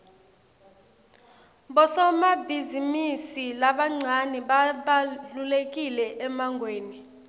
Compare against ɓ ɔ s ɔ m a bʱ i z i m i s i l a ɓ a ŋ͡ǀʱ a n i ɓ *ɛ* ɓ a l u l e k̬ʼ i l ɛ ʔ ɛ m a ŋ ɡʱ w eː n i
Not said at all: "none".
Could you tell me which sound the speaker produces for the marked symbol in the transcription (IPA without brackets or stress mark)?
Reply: a